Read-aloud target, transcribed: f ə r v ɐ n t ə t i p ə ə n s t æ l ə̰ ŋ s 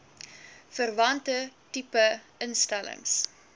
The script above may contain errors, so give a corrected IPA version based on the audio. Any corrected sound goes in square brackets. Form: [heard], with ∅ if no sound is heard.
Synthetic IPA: f ə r v ɐ n t ə t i p ə ə n s t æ l ə̰ ŋ s